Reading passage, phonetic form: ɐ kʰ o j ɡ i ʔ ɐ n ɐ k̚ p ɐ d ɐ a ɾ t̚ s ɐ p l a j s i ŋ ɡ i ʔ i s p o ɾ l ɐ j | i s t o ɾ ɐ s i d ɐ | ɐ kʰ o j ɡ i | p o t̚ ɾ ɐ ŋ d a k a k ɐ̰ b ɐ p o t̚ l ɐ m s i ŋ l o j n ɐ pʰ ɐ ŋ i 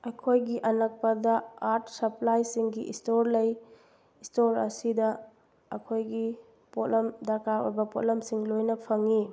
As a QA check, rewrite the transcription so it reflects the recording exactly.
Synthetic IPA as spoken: ɐ kʰ o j ɡ i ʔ ɐ n ɐ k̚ p ɐ d ɐ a ɾ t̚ s ɐ p l a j s i ŋ ɡ i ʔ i s t o ɾ l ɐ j | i s t o ɾ ɐ s i d ɐ | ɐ kʰ o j ɡ i | p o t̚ l ɐ m d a k a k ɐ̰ b ɐ p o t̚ l ɐ m s i ŋ l o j n ɐ pʰ ɐ ŋ i